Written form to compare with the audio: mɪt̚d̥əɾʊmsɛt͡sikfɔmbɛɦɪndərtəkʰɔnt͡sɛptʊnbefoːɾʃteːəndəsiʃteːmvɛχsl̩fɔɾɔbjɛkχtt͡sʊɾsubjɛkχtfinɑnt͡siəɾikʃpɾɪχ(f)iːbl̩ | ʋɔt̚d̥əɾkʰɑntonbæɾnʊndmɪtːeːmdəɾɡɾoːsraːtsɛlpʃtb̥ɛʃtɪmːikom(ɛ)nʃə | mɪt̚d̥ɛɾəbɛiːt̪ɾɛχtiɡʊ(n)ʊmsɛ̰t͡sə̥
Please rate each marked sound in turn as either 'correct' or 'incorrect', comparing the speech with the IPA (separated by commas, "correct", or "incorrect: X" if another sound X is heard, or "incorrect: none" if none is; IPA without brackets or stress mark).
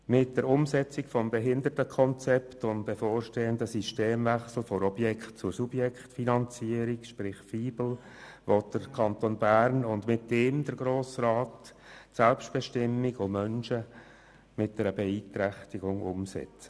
correct, incorrect: œ, incorrect: ŋ